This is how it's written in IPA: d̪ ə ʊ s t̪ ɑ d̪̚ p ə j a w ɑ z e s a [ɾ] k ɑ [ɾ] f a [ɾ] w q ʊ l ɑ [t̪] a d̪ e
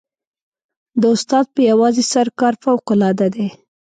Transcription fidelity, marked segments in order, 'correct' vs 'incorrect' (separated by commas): correct, correct, incorrect, incorrect